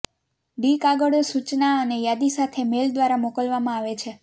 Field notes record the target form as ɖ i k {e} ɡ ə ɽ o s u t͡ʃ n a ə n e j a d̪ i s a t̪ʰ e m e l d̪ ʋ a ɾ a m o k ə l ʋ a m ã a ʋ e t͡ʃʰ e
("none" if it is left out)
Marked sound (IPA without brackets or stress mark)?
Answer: a